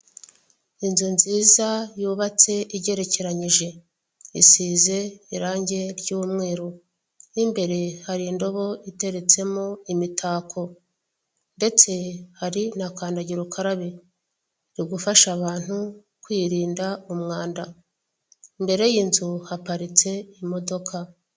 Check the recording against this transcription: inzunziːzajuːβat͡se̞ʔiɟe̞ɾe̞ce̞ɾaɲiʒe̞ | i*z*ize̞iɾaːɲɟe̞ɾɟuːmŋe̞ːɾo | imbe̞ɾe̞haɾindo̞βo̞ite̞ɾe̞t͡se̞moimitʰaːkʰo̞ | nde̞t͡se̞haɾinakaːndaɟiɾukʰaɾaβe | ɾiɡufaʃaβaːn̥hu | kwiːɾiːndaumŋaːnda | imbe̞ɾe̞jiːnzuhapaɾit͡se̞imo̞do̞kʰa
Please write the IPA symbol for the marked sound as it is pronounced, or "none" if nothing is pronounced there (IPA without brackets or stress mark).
s